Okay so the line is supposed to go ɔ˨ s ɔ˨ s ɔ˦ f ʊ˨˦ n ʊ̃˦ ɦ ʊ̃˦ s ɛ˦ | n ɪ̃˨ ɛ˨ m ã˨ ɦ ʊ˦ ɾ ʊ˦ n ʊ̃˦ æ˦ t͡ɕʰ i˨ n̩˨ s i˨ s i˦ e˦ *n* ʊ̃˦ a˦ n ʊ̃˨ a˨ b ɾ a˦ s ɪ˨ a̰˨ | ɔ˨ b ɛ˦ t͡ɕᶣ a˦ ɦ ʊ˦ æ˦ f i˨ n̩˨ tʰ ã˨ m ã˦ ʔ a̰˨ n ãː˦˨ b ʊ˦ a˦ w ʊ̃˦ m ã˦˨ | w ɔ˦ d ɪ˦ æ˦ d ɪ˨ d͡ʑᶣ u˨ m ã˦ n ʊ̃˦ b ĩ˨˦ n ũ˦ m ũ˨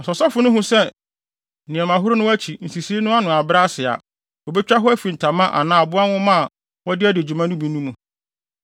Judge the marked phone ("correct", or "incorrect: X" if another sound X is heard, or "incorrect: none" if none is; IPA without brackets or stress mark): correct